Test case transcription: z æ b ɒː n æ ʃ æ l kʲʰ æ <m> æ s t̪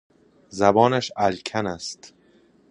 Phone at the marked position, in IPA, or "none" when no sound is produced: n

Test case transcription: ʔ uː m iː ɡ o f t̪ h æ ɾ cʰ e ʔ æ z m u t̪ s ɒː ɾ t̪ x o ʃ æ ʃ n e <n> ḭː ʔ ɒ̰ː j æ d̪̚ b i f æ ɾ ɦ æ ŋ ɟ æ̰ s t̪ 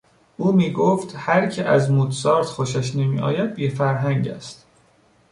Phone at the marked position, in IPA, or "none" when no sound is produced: m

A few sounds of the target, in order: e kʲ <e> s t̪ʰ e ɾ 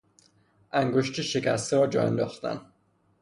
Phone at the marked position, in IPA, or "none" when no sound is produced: æ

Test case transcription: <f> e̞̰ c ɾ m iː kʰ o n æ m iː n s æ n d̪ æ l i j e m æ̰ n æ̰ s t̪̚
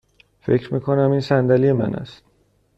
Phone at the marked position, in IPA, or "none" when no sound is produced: f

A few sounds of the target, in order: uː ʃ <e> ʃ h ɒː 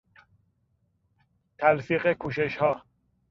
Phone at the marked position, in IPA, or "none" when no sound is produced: e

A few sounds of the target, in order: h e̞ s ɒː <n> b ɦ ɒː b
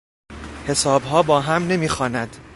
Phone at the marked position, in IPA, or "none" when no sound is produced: none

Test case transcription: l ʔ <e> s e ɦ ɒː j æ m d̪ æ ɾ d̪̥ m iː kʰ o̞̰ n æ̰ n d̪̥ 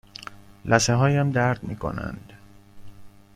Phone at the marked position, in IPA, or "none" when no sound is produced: æ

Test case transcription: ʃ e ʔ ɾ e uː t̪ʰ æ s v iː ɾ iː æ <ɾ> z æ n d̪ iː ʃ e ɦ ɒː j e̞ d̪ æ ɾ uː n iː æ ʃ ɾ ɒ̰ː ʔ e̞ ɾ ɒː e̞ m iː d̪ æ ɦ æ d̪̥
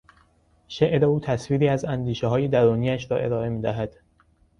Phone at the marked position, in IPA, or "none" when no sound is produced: none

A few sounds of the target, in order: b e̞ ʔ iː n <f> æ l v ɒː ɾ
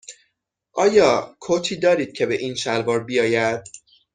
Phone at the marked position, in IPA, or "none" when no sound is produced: ʃ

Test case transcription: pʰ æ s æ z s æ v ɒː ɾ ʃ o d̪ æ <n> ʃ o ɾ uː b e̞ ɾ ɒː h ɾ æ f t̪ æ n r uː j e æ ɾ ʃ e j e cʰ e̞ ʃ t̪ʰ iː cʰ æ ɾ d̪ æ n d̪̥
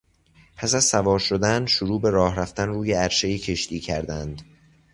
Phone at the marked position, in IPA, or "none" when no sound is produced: n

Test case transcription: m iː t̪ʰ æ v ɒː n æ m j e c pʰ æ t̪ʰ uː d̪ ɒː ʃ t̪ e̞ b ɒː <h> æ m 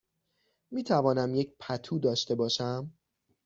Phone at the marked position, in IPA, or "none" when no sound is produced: ʃ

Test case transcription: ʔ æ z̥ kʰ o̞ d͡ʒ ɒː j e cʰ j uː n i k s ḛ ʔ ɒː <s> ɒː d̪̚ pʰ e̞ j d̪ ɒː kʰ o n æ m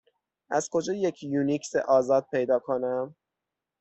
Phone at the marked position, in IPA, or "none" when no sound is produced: z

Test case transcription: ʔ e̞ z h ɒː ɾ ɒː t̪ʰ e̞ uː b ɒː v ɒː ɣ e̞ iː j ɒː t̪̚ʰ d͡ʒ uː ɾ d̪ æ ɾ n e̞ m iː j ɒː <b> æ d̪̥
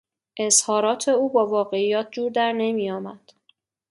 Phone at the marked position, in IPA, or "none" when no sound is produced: m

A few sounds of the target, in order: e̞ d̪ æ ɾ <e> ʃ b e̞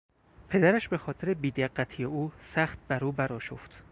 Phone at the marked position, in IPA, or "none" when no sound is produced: æ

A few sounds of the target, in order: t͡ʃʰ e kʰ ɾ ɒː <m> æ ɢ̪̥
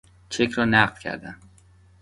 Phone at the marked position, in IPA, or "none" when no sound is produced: n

